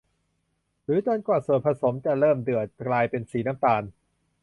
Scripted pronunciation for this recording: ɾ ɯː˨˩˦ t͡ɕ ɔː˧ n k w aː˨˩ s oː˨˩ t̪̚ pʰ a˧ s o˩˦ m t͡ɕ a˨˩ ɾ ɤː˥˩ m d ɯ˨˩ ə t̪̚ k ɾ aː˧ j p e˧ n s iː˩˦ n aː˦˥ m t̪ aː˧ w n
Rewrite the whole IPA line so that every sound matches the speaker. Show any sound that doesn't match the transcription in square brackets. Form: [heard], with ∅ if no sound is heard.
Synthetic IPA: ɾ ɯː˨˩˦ t͡ɕ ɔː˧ n k w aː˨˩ s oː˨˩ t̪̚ pʰ a˧ s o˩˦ m t͡ɕ a˨˩ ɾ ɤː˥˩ m d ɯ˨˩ ə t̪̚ k [l] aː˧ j p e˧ n s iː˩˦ n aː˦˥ m t̪ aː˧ [∅] n